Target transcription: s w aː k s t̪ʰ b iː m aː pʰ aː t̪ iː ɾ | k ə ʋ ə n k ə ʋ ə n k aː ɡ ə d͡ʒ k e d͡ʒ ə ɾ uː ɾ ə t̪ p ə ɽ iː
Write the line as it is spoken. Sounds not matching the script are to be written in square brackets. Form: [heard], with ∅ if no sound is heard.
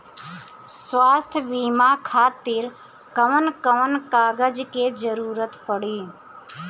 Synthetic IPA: s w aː [∅] s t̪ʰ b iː m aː [kʰ] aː t̪ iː ɾ | k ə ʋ ə n k ə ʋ ə n k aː ɡ ə d͡ʒ k e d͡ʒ ə ɾ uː ɾ ə t̪ p ə ɽ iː